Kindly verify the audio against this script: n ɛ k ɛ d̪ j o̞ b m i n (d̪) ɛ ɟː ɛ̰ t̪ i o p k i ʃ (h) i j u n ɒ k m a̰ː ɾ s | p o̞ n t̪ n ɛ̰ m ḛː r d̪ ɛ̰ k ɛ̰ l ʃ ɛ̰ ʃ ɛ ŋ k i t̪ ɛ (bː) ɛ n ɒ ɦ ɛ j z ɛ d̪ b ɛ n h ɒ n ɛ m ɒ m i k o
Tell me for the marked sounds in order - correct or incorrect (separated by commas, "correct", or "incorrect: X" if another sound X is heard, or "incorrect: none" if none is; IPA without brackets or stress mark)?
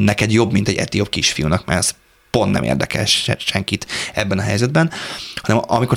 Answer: incorrect: t̪, incorrect: f, correct